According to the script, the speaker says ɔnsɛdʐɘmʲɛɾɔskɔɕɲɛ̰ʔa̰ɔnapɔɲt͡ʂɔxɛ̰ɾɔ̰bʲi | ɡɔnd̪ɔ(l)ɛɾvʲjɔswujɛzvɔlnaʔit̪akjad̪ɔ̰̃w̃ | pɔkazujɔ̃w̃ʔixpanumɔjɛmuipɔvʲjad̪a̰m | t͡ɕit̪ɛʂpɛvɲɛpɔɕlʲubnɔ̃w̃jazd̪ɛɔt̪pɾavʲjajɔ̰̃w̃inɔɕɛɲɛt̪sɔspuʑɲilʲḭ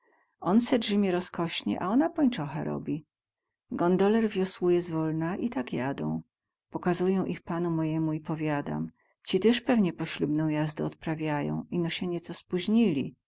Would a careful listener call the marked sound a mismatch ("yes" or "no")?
no